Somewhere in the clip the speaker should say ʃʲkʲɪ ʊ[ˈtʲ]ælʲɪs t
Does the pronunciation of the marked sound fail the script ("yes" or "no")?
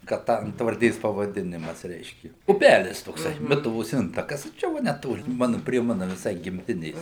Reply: yes